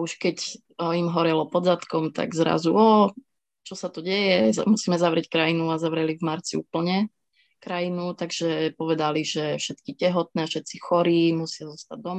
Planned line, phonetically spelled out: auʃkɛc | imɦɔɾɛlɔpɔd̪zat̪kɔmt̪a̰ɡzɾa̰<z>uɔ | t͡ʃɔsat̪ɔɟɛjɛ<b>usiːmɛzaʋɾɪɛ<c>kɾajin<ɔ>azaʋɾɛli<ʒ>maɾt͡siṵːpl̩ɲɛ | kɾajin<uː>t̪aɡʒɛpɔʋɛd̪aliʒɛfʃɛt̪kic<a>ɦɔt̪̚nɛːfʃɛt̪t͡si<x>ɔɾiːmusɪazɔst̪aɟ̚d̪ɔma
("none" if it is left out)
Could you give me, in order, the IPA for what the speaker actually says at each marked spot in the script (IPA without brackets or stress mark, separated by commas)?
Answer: z, m, c, u, v, u, ɛ, x